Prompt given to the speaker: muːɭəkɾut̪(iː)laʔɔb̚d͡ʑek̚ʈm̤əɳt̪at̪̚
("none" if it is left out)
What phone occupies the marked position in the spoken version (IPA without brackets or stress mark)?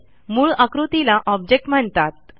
i